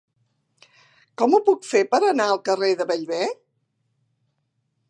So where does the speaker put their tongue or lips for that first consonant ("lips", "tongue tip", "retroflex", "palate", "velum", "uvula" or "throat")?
velum